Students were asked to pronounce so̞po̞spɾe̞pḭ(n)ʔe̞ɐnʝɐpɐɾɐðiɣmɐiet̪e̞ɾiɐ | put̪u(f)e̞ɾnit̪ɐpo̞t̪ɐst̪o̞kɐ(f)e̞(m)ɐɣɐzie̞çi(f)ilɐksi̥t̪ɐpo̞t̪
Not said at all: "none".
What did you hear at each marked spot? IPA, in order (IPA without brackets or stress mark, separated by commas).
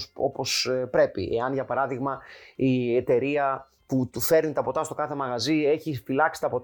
none, f, θ, m, f